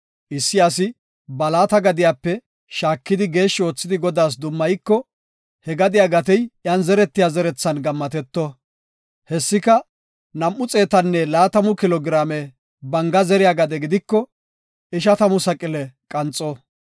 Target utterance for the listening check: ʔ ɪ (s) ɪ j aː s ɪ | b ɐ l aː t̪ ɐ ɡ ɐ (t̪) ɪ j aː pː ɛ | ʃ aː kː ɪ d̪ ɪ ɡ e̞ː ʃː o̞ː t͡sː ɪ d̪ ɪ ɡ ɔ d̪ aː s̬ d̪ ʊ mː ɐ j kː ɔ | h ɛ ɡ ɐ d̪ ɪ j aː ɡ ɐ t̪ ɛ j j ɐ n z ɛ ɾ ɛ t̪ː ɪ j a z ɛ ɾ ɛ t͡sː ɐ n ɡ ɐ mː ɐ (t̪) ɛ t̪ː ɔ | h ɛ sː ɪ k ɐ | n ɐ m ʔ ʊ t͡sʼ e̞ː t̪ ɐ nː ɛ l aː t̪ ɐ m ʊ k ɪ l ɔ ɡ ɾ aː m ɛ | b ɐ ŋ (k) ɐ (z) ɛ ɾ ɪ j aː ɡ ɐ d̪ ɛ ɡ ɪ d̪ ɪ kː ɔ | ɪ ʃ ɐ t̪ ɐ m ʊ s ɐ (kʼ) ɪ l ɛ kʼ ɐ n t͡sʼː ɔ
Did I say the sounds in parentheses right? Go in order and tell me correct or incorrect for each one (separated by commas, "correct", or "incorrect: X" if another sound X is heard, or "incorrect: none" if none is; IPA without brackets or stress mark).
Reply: incorrect: sː, incorrect: d̪, correct, incorrect: ɡ, correct, correct